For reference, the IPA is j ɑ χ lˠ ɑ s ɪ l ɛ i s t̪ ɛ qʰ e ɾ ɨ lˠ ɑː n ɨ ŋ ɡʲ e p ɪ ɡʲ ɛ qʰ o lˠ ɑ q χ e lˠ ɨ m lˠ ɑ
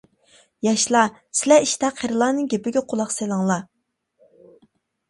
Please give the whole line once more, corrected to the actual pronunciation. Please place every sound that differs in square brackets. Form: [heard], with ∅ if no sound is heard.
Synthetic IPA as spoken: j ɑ [ʃ] lˠ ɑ s ɪ l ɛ i [ʃ] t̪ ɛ qʰ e ɾ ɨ lˠ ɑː n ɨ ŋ ɡʲ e p ɪ ɡʲ ɛ qʰ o lˠ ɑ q [s] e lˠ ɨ [ŋ] lˠ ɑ